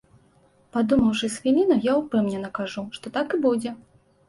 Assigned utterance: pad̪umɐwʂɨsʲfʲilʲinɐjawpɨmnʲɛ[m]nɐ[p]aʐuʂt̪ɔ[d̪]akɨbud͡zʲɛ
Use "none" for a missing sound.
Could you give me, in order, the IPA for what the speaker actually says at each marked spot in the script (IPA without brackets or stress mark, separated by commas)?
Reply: none, k, t̪